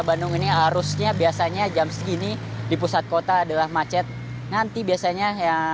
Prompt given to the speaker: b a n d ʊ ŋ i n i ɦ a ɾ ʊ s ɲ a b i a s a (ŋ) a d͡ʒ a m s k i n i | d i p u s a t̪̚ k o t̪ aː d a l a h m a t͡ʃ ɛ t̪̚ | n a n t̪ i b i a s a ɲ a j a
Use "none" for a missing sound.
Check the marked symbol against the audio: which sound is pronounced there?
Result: ɲ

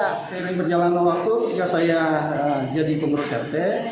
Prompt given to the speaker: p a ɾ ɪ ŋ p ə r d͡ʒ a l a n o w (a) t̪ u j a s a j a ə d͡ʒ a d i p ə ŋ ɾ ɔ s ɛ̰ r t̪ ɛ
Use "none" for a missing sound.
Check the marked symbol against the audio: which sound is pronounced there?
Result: a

